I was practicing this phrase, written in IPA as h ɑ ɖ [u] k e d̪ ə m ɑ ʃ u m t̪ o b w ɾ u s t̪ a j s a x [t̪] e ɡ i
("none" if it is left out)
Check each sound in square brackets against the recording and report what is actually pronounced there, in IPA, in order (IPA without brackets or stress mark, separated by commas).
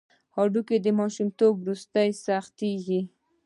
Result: u, t̪